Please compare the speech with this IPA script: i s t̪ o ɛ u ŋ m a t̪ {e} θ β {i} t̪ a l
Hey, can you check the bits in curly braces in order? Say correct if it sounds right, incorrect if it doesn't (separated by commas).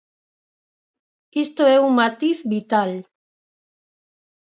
incorrect, correct